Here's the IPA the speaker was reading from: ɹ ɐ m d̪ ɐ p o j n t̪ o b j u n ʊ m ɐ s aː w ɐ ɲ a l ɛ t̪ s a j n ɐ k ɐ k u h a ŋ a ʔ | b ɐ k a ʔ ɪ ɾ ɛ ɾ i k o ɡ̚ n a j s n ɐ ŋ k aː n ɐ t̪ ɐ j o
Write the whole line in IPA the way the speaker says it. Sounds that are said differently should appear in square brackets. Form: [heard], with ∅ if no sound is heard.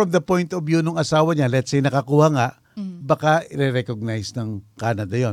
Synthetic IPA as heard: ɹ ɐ m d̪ ɐ p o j n t̪ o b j u n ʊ [ŋ] ɐ s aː w ɐ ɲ a l ɛ t̪ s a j n ɐ k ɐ k u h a ŋ a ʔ | b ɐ k a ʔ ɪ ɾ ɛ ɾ [ɛ] k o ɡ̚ n a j s n ɐ ŋ k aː n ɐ [d̪] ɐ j o